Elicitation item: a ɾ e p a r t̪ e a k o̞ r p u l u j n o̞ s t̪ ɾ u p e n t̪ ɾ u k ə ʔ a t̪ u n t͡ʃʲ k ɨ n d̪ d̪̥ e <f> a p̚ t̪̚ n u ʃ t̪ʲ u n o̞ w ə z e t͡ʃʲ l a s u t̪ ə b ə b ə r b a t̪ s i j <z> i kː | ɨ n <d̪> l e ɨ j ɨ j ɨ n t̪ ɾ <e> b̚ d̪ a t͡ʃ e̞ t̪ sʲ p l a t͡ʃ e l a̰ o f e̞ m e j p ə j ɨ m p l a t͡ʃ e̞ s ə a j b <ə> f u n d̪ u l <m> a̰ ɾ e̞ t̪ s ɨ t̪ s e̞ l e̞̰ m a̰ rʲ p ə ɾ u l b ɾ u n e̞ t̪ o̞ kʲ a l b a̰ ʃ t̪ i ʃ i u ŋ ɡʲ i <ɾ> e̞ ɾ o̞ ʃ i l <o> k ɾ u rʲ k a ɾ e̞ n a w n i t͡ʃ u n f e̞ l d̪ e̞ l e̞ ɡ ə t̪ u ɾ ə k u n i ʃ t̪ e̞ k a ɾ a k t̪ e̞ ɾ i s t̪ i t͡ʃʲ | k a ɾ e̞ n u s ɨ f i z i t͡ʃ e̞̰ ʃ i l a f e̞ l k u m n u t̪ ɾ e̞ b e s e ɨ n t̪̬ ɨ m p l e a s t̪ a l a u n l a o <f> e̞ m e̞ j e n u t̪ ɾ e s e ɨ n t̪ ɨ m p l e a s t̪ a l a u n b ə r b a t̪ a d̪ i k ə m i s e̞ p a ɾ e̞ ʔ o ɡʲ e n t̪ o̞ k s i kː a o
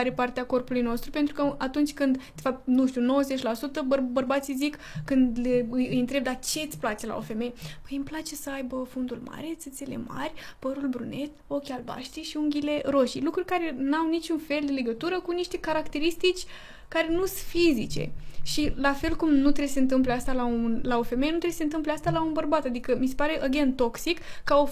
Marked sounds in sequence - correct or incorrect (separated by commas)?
correct, correct, correct, correct, correct, correct, incorrect, incorrect, correct